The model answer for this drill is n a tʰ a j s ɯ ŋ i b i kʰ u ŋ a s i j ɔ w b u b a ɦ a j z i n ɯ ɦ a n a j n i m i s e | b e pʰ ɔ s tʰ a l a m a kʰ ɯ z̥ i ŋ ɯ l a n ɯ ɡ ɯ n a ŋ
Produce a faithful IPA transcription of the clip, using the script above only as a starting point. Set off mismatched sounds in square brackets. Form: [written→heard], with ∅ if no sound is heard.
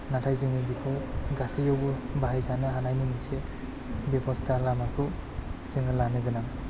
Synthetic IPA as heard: n a tʰ a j [s→z] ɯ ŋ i b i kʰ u [ŋ→ɡ] a s i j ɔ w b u b a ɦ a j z [i→a] n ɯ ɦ a n a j n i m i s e | b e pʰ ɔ s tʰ a l a m a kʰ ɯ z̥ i ŋ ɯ l a n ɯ ɡ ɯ n a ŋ